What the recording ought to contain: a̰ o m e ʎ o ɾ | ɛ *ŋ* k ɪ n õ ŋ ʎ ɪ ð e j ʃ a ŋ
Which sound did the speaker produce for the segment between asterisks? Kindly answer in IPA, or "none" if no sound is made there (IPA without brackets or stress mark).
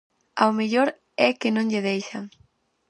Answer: none